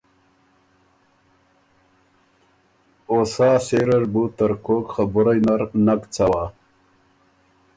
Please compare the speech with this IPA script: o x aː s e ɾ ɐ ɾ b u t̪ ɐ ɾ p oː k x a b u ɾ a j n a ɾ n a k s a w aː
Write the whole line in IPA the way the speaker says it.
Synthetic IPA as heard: o s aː s e ɾ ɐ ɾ b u t̪ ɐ ɾ k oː k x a b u ɾ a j n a ɾ n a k t͡s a w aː